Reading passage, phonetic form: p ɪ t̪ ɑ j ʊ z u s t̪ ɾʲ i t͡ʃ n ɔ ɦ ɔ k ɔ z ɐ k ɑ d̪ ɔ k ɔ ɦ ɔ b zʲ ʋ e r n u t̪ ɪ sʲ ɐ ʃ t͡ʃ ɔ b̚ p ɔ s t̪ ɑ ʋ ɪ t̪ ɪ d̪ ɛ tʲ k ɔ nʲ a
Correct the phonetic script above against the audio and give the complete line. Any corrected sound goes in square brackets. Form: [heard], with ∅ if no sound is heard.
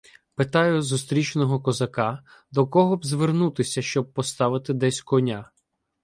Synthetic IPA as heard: p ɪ t̪ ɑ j ʊ z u s t̪ ɾʲ i t͡ʃ n ɔ ɦ ɔ k ɔ z ɐ k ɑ d̪ ɔ k ɔ ɦ ɔ b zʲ ʋ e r n u t̪ ɪ sʲ ɐ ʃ t͡ʃ ɔ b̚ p ɔ s t̪ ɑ ʋ ɪ t̪ ɪ d̪ ɛ [sʲ] k ɔ nʲ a

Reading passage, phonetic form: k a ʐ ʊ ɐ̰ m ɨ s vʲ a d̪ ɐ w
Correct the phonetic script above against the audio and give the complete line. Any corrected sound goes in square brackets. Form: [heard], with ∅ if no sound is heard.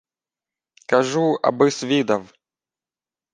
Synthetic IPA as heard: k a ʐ [u] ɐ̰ [b] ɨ s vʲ [i] d̪ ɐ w

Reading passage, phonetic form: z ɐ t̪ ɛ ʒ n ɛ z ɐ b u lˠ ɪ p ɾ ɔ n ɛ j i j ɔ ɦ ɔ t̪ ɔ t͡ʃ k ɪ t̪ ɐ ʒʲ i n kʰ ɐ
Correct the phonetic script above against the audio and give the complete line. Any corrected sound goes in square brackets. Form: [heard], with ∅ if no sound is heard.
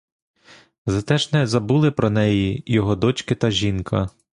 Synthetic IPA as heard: z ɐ t̪ ɛ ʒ n ɛ z ɐ b u lˠ ɪ p ɾ ɔ n ɛ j i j ɔ ɦ ɔ [d̪] ɔ t͡ʃ k ɪ t̪ ɐ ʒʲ i n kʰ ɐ

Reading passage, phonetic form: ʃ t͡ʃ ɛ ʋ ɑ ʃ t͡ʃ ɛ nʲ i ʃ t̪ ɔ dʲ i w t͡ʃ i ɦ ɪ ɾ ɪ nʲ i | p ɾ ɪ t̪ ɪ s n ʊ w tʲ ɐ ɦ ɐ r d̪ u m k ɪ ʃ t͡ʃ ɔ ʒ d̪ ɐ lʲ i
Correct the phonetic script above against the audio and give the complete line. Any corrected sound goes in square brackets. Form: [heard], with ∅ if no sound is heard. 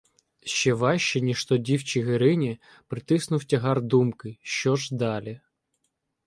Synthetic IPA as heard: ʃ t͡ʃ ɛ ʋ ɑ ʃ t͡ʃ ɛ nʲ i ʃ t̪ ɔ dʲ i w t͡ʃ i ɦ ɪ ɾ ɪ nʲ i | p ɾ ɪ t̪ ɪ s n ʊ w tʲ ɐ ɦ [ɑ] r d̪ u m k ɪ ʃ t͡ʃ ɔ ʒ d̪ [ɑ] lʲ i

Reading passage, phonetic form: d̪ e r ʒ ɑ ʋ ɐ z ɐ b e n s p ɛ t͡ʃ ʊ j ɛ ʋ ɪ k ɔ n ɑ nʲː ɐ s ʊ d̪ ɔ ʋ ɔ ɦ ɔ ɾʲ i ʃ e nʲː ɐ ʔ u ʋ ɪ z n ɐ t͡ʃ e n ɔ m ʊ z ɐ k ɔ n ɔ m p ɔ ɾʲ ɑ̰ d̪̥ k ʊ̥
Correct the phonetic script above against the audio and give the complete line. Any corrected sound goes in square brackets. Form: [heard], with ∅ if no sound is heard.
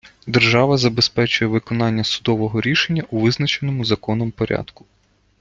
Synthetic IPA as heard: d̪ e r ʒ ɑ ʋ ɐ z ɐ b e [∅] s p ɛ t͡ʃ ʊ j ɛ ʋ ɪ k ɔ n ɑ nʲː ɐ s ʊ d̪ ɔ ʋ ɔ ɦ ɔ ɾʲ i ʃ e nʲː ɐ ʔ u ʋ ɪ z n ɐ t͡ʃ e n ɔ m ʊ z ɐ k ɔ n ɔ m p ɔ ɾʲ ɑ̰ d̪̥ k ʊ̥

